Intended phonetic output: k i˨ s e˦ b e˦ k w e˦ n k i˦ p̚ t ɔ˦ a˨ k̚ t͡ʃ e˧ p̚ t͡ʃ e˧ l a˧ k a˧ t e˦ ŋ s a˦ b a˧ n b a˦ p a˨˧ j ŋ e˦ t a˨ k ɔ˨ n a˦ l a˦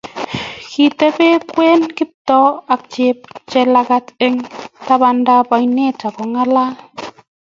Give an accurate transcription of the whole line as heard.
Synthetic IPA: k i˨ t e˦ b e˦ k w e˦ n k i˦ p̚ t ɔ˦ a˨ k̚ t͡ʃ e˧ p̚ t͡ʃ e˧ l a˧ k a˧ t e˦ ŋ t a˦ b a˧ n d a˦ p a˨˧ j n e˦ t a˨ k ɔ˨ ŋ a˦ l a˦